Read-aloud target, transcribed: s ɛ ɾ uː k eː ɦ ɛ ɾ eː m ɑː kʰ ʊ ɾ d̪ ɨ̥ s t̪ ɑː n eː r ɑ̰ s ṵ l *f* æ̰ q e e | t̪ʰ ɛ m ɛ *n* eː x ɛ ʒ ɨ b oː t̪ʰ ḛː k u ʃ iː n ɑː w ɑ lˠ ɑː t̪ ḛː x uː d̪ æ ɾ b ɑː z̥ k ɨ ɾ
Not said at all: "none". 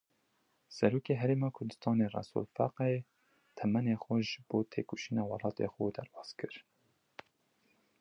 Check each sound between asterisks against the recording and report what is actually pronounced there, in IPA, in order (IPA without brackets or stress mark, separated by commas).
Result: f, n